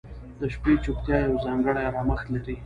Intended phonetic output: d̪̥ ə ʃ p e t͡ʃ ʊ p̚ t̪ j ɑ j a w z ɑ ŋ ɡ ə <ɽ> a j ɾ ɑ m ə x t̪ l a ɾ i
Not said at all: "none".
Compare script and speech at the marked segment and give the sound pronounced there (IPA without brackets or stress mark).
ɽ